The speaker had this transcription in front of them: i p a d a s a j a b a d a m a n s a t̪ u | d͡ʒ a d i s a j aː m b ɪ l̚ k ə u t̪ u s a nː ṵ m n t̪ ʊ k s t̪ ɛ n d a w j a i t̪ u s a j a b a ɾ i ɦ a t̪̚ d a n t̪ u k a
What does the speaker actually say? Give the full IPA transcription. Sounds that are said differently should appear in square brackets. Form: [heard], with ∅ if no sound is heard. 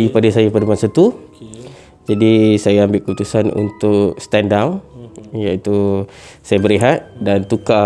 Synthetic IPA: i p a d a s a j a [p] a d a m a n s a t̪ u | d͡ʒ a d i s a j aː m b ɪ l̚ k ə u t̪ u s a [n] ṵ [∅] n t̪ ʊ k s t̪ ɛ n d a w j a i t̪ u s a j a b [ə] ɾ i ɦ a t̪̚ d a n t̪ u k a

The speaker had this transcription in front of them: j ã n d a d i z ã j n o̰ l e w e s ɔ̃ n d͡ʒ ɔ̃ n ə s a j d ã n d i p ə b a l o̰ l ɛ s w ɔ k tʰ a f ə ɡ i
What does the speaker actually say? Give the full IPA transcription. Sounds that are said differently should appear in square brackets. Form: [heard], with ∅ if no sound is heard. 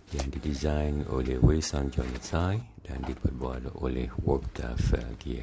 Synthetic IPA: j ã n d [i] d i z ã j n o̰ l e w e s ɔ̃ n d͡ʒ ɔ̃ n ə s a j d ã n d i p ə b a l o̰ l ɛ [h] w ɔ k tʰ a f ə ɡ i

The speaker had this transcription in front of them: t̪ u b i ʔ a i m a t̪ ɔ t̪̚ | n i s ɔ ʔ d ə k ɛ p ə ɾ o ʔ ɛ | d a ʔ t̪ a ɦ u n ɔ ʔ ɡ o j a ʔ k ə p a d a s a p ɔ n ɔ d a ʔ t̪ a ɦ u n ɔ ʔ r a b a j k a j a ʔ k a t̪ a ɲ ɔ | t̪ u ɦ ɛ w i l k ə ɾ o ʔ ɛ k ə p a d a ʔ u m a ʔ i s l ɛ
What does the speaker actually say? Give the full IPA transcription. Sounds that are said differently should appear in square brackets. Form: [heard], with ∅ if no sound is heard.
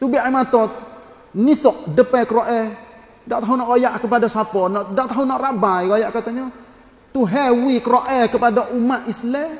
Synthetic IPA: t̪ u b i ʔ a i m a t̪ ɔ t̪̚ | n i s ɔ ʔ d ə [p] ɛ [k] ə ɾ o ʔ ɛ | d a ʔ t̪ a ɦ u n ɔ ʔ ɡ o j a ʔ k ə p a d a s a p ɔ n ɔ d a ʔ t̪ a ɦ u n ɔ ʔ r a b a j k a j a ʔ k a t̪ a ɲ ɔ | t̪ u ɦ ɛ w i [∅] k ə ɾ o ʔ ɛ k ə p a d a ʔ u m a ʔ i s l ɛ

